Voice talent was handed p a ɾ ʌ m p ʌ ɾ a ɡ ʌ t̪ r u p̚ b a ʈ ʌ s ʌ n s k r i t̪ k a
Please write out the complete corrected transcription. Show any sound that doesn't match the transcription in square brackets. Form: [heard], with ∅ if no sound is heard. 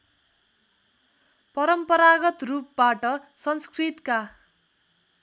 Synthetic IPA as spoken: p [ʌ] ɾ ʌ m p ʌ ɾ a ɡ ʌ t̪ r u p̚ b a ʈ ʌ s ʌ n s k r i t̪ k a